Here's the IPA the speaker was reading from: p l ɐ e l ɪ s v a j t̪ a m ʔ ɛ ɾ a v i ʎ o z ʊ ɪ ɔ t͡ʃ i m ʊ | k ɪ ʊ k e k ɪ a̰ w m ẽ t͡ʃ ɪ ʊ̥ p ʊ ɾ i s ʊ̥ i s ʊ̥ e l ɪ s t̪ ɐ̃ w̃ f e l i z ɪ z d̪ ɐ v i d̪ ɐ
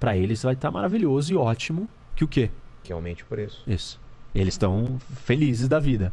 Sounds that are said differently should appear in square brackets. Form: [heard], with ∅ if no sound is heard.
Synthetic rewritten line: p [ɾ] ɐ e l ɪ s v a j t̪ a m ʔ [a] ɾ a v i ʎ o z ʊ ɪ ɔ t͡ʃ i m ʊ | k ɪ ʊ k e k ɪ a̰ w m ẽ t͡ʃ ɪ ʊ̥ p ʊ ɾ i s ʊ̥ i s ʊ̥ e l ɪ s t̪ ɐ̃ w̃ f e l i z ɪ z d̪ ɐ v i d̪ ɐ

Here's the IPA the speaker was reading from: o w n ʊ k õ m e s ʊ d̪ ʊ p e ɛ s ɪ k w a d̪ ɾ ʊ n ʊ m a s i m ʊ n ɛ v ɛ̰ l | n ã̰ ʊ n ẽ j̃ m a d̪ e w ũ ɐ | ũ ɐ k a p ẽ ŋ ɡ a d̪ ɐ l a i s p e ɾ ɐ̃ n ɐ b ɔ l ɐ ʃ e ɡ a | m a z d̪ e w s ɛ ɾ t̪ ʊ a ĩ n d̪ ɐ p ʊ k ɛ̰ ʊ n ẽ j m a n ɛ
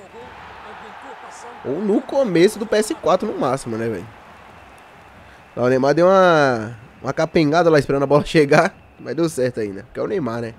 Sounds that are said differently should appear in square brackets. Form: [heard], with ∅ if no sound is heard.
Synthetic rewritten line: o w n ʊ k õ m e s ʊ d̪ ʊ p e ɛ s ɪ k w a [t̪] ɾ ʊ n ʊ m a s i m ʊ n ɛ v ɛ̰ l | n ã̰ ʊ n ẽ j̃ m a d̪ e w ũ ɐ | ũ ɐ k a p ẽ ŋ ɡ a d̪ ɐ l a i s p e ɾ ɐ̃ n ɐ b ɔ l ɐ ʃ e ɡ a | m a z d̪ e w s ɛ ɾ t̪ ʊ a ĩ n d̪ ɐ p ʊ k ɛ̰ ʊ n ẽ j m a n ɛ

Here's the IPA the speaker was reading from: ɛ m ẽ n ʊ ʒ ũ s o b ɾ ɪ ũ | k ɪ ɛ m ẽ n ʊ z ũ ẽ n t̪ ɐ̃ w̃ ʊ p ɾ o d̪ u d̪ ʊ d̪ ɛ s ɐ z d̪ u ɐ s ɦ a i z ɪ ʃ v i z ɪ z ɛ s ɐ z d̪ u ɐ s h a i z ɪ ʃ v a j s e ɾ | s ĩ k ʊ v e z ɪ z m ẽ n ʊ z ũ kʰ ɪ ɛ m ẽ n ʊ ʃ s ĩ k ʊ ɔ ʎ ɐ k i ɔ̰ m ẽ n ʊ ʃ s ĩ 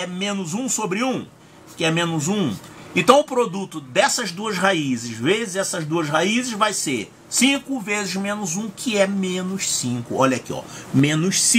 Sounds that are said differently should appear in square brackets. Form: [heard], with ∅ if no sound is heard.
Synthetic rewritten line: ɛ m ẽ n ʊ [z] ũ s o b ɾ ɪ ũ | k ɪ ɛ m ẽ n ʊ z ũ ẽ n t̪ ɐ̃ w̃ ʊ p ɾ o d̪ u [t̪] ʊ d̪ ɛ s ɐ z d̪ u ɐ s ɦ a i z ɪ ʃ v [e] z ɪ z ɛ s ɐ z d̪ u ɐ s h a i z ɪ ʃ v a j s e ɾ | s ĩ k ʊ v e z ɪ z m ẽ n ʊ z ũ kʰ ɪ ɛ m ẽ n ʊ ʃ s ĩ k ʊ ɔ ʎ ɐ k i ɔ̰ m ẽ n ʊ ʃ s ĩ

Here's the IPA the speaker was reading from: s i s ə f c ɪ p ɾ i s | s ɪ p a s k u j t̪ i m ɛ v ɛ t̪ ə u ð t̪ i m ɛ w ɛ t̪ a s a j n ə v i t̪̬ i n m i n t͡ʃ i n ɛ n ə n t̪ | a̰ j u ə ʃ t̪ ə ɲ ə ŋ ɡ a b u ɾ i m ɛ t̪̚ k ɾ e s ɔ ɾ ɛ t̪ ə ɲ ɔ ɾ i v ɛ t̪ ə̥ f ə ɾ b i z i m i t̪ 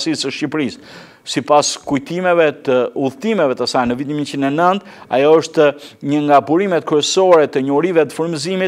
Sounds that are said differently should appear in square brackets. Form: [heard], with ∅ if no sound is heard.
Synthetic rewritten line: s i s ə [ʃ] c [i] p ɾ i s | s [i] p a s k u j t̪ i m ɛ v ɛ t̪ ə u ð t̪ i m ɛ [v] ɛ t̪ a s a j n ə v i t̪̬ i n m i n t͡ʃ i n ɛ n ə n t̪ | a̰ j [ɔ] ə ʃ t̪ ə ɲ ə ŋ ɡ a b u ɾ i m ɛ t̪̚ k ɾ [ɛ] s ɔ ɾ ɛ t̪ ə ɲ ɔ ɾ i v ɛ t̪ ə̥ f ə ɾ [m] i z i m i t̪

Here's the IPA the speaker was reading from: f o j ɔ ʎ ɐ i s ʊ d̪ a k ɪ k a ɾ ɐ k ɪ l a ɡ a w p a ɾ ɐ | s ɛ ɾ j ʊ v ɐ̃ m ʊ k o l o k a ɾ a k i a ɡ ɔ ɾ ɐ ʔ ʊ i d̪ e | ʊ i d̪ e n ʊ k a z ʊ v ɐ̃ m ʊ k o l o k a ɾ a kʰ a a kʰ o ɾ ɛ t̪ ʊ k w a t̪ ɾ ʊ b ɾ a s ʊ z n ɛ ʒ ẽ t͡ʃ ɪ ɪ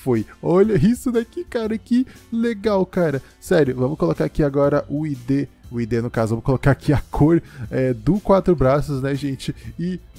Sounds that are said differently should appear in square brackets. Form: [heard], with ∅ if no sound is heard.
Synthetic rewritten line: f o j ɔ ʎ ɐ i s ʊ d̪ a k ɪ k a ɾ ɐ k ɪ l [e] ɡ a w [k] a ɾ ɐ | s ɛ ɾ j ʊ v ɐ̃ m ʊ k o l o k a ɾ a k i a ɡ ɔ ɾ ɐ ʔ ʊ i d̪ e | ʊ i d̪ e n ʊ k a z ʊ v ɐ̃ m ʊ k o l o k a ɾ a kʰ [i] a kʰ o ɾ ɛ [d̪] ʊ k w a t̪ ɾ ʊ b ɾ a s ʊ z n ɛ ʒ ẽ t͡ʃ ɪ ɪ

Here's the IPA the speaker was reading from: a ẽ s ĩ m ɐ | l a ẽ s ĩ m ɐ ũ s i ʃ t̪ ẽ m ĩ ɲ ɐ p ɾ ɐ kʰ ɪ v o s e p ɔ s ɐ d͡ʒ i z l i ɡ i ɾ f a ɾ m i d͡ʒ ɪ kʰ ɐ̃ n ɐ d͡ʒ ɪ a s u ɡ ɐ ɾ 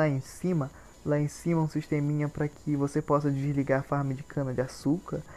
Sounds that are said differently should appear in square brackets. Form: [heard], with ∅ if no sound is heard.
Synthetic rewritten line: a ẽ s ĩ m ɐ | l a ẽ s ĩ m ɐ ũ s i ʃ t̪ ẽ m ĩ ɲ ɐ p ɾ ɐ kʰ ɪ v o s e p ɔ s ɐ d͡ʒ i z l i ɡ [a] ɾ f a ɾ m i d͡ʒ ɪ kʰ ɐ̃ n ɐ d͡ʒ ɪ a s u [k] ɐ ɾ

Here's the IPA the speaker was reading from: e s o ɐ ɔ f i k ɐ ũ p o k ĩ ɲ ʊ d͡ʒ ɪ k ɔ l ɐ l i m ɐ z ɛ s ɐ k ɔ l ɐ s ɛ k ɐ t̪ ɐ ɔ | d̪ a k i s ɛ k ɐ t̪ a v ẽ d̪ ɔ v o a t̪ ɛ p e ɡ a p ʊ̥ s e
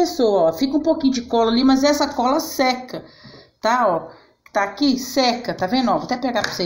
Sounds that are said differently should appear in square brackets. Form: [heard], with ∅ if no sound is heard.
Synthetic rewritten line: e s o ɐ ɔ f i k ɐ ũ p o k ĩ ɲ ʊ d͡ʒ ɪ k ɔ l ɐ l i m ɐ z ɛ s ɐ k ɔ l ɐ s ɛ k ɐ t̪ [a] ɔ | [t̪] a k i s ɛ k ɐ t̪ a v ẽ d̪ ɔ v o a t̪ ɛ p e ɡ a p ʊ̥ s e

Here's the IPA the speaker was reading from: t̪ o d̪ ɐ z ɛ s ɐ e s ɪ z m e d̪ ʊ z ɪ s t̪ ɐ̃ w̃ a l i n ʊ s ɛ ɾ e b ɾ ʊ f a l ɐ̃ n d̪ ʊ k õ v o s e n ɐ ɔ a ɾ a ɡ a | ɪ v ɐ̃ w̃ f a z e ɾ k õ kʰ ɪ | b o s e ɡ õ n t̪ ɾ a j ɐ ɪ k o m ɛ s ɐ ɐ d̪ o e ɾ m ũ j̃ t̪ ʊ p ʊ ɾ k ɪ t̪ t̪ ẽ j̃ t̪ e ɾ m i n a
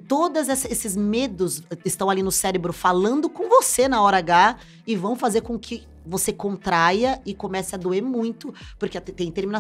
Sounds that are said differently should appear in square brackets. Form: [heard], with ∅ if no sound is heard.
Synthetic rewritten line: t̪ o d̪ ɐ z ɛ s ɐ e s ɪ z m e d̪ ʊ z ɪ s t̪ ɐ̃ w̃ a l i n ʊ s ɛ ɾ e b ɾ ʊ f a l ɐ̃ n d̪ ʊ k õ v o s e n ɐ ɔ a ɾ a ɡ a | ɪ v ɐ̃ w̃ f a z e ɾ k õ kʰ ɪ | [v] o s e [k] õ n t̪ ɾ a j ɐ ɪ k o m ɛ s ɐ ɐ d̪ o e ɾ m ũ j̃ t̪ ʊ p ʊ ɾ k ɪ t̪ t̪ ẽ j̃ t̪ e ɾ m i n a

